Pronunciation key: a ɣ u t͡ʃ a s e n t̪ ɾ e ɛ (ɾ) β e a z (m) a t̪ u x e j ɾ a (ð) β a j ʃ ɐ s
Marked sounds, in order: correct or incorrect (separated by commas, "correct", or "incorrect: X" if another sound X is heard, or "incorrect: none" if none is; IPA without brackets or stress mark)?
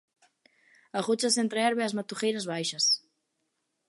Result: correct, correct, incorrect: z